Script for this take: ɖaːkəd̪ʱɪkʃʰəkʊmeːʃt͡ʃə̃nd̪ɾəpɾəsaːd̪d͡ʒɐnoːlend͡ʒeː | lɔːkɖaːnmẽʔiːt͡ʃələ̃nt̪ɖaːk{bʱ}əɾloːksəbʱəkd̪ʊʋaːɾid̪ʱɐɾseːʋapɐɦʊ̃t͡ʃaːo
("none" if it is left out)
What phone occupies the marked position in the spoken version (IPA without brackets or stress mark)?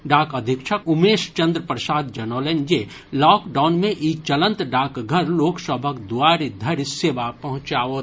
ɡʱ